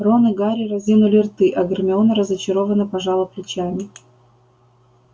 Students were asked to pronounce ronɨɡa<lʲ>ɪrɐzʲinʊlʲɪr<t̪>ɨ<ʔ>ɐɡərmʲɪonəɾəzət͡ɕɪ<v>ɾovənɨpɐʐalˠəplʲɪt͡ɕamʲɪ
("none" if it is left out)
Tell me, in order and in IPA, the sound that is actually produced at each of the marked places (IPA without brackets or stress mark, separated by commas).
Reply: ɾʲ, t̪, ʔ, none